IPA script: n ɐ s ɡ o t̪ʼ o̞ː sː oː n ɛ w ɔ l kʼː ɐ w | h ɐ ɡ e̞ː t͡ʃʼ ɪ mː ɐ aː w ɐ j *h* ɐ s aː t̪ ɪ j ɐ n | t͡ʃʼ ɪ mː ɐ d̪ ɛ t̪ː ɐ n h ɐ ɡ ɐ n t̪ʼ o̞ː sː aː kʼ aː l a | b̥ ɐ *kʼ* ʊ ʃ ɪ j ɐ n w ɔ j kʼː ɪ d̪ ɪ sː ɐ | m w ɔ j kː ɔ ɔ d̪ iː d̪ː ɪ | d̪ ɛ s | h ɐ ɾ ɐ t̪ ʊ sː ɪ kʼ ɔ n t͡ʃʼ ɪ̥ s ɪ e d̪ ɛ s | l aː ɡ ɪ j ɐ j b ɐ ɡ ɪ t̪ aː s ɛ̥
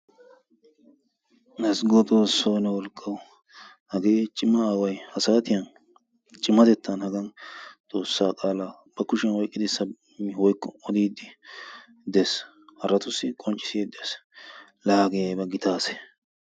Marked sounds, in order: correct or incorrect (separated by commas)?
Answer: correct, incorrect